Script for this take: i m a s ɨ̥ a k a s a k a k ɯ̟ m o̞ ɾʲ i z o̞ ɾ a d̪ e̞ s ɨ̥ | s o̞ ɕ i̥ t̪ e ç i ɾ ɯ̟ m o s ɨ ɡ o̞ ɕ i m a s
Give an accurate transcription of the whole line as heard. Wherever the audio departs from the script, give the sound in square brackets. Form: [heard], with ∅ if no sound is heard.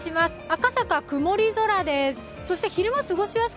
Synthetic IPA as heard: i m a s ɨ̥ a k a s a k a k ɯ̟ m o̞ ɾʲ i z o̞ ɾ a d̪ e̞ s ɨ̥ | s o̞ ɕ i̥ t̪ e ç i ɾ ɯ̟ m o s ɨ ɡ o̞ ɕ i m a s

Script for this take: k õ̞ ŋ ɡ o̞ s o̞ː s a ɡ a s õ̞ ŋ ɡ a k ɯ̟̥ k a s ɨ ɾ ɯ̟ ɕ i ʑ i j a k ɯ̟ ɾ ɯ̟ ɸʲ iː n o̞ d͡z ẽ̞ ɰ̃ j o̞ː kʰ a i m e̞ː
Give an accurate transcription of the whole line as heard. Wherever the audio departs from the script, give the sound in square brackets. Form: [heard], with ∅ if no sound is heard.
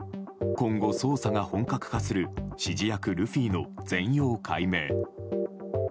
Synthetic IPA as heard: k õ̞ ŋ ɡ o̞ s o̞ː s a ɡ a [h] õ̞ ŋ [k] a k ɯ̟̥ k a s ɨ ɾ ɯ̟ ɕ i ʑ i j a k ɯ̟ ɾ ɯ̟ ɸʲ iː n o̞ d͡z ẽ̞ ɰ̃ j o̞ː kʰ a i m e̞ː

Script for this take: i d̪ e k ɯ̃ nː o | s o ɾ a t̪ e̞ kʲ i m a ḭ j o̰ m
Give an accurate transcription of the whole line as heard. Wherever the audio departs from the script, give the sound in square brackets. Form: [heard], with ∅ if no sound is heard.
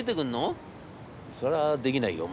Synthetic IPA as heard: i [t̪] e k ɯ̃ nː o | s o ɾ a [d̪] e̞ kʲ i [n] a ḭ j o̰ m

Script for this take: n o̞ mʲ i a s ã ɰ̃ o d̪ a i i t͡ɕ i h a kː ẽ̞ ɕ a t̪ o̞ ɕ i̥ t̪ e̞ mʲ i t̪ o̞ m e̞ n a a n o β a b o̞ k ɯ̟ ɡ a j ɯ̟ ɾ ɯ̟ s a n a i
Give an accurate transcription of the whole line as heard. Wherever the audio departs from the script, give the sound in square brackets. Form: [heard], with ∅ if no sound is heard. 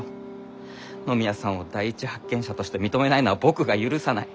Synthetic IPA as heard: n o̞ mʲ i a s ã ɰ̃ o d̪ a i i t͡ɕ i h a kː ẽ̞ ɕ a t̪ o̞ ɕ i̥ t̪ e̞ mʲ i t̪ o̞ m e̞ n a [i] n o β a b o̞ k ɯ̟ ɡ a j ɯ̟ ɾ ɯ̟ s a n a i

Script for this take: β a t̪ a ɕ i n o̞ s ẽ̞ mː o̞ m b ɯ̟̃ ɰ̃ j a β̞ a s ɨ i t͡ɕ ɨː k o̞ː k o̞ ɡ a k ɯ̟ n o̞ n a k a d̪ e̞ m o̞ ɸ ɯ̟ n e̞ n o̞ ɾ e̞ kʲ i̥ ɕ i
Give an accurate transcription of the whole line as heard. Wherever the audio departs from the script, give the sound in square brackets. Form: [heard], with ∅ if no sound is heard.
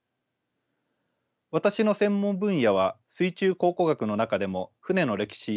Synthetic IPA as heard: β a t̪ a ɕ i n o̞ s ẽ̞ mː [õ̞] m b ɯ̟̃ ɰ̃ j a β̞ a s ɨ i t͡ɕ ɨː k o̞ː k o̞ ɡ a k ɯ̟ n o̞ n a k a d̪ e̞ m o̞ ɸ ɯ̟ n e̞ n o̞ ɾ e̞ kʲ i̥ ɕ i

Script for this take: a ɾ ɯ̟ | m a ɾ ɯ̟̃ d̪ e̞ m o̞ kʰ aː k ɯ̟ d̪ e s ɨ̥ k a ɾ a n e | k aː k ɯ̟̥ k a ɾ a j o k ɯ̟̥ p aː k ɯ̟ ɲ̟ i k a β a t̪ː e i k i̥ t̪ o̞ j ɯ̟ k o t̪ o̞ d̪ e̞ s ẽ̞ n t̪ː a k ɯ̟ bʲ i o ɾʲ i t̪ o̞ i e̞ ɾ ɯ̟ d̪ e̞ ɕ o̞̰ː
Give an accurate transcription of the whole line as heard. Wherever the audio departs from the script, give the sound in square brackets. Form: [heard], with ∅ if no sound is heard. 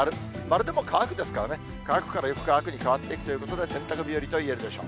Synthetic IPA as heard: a ɾ ɯ̟ | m a ɾ [ɯ̟] d̪ e̞ m o̞ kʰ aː k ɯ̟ d̪ e s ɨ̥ k a ɾ a n e | k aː k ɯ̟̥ k a ɾ a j o k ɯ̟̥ [k] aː k ɯ̟ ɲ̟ i k a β a t̪ː e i k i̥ t̪ o̞ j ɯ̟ k o t̪ o̞ d̪ e̞ s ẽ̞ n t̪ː a k ɯ̟ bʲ i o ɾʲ i t̪ o̞ i e̞ ɾ ɯ̟ d̪ e̞ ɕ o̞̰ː

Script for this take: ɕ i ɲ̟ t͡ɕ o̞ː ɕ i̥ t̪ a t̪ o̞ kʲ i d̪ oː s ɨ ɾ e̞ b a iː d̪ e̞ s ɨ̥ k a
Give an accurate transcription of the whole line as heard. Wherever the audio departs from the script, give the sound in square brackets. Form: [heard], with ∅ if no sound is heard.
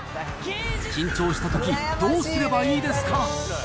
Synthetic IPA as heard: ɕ [ĩ] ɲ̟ t͡ɕ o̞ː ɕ i̥ t̪ a t̪ o̞ kʲ i d̪ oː s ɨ ɾ e̞ b a iː d̪ e̞ s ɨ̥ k a

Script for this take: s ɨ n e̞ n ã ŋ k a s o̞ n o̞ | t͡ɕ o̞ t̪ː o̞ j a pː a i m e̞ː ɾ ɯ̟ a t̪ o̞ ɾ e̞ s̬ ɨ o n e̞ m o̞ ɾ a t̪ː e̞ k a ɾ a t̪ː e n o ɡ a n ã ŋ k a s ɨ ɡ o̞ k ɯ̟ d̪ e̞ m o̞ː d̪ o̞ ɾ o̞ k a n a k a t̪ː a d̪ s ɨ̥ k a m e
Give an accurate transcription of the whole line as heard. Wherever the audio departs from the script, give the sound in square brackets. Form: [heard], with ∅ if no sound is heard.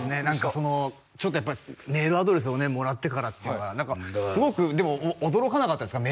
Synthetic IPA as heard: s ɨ n e̞ n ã ŋ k a s o̞ n o̞ | t͡ɕ o̞ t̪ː o̞ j a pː a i m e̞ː ɾ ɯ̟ a [d̪] o̞ ɾ e̞ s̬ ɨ o n e̞ m o̞ ɾ a t̪ː e̞ k a ɾ a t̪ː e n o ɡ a n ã ŋ k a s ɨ ɡ o̞ k ɯ̟ d̪ e̞ m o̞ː d̪ o̞ ɾ o̞ k a n a k a t̪ː a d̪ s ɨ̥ k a m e

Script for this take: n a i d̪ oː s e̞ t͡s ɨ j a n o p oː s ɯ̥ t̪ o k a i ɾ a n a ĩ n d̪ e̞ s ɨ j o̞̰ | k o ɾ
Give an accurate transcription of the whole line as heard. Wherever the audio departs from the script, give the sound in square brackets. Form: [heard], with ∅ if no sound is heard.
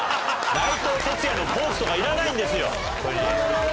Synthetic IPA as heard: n a i [t̪] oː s e̞ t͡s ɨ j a n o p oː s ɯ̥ t̪ o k a i ɾ a n a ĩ n d̪ e̞ s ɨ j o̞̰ | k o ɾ

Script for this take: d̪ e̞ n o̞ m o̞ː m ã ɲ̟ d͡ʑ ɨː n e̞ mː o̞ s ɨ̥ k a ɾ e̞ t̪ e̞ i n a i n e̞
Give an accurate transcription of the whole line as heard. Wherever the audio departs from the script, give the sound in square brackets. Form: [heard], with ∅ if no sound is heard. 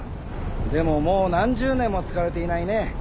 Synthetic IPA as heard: d̪ e̞ [m] o̞ m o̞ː [n] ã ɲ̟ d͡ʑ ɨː n [ẽ̞] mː o̞ [t͡s] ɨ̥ k a ɾ e̞ t̪ e̞ i n a i n e̞

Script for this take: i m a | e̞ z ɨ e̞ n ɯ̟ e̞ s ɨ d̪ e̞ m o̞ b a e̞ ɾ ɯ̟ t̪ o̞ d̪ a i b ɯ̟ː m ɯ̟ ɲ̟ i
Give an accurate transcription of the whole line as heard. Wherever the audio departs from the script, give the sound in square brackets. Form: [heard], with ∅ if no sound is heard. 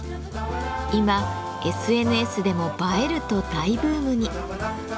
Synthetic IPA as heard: i m a | e̞ [s] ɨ e̞ n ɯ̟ e̞ s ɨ d̪ e̞ m o̞ b a e̞ ɾ ɯ̟ t̪ o̞ d̪ a i b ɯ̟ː m ɯ̟ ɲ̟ i

